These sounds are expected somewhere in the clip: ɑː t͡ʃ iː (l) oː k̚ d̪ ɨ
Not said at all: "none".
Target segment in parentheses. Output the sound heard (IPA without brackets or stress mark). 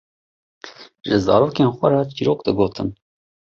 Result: ɾ